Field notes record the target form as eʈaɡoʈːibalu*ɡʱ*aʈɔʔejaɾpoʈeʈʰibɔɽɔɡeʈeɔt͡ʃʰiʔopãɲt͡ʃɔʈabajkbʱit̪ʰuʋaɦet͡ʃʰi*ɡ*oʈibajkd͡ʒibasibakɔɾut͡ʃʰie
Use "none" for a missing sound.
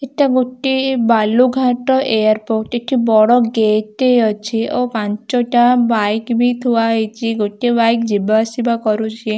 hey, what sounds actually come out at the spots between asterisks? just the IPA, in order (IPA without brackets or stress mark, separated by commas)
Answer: ɡʱ, ɡ